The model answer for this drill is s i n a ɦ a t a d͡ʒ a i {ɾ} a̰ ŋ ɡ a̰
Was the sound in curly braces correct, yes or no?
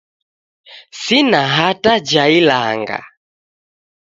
no